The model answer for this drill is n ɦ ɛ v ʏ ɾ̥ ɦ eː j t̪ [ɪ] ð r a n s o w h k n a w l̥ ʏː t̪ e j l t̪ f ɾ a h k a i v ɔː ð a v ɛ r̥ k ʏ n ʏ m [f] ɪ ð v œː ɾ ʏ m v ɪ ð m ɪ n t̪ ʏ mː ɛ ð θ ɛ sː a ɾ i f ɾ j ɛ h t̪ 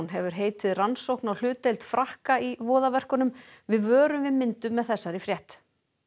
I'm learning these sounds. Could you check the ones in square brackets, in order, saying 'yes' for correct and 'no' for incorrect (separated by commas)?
yes, no